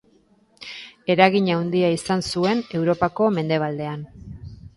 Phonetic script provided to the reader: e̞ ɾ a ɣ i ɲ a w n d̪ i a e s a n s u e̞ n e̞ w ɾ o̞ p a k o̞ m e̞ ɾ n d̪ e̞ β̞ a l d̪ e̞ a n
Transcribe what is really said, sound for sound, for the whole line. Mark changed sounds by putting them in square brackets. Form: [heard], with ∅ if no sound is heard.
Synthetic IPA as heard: e̞ ɾ a ɣ i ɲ a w n d̪ i a [i] s a n s u e̞ n e̞ w ɾ o̞ p a k o̞ m e̞ [∅] n d̪ e̞ β̞ a l d̪ e̞ a n

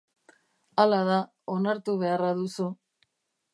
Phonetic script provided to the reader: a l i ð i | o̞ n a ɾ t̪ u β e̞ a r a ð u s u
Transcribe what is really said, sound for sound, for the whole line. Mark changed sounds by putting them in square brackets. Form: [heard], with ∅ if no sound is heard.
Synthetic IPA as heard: a l [a] ð [a] | o̞ n a ɾ t̪ u β e̞ a r a ð u s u

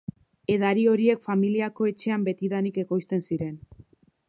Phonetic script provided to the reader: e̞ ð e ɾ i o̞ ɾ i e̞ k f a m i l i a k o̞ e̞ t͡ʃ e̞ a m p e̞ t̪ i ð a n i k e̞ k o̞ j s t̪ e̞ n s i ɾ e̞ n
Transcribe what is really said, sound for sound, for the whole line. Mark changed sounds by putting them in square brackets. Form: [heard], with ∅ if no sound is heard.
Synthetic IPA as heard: e̞ ð [a] ɾ i o̞ ɾ i e̞ k f a m i l i a k o̞ e̞ t͡ʃ e̞ a m [b] e̞ t̪ i ð a n i k e̞ k o̞ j s t̪ e̞ n s i ɾ e̞ n

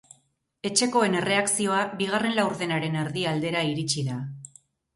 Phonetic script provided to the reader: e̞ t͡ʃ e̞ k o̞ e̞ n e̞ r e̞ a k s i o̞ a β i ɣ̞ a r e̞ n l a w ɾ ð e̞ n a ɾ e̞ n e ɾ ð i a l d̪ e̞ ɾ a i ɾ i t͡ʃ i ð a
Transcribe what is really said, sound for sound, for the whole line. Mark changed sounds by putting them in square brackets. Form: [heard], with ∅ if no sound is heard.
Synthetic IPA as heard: e̞ t͡ʃ e̞ k o̞ e̞ n e̞ r e̞ a k s i o̞ a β i ɣ̞ a r e̞ n l a w ɾ ð e̞ n a ɾ e̞ n e ɾ ð i a l d̪ e̞ ɾ a i ɾ i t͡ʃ i ð a

